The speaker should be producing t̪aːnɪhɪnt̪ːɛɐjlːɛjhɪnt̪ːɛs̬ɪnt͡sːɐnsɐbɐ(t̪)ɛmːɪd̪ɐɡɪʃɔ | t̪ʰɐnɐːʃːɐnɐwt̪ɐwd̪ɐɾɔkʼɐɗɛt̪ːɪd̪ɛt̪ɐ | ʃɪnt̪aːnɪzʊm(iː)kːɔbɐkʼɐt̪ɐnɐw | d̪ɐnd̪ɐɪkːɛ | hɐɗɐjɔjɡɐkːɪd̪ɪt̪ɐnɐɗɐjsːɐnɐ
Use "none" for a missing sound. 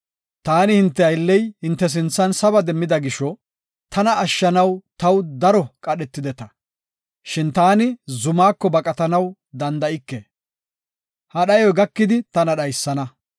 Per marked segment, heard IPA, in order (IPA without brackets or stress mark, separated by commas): d̪, aː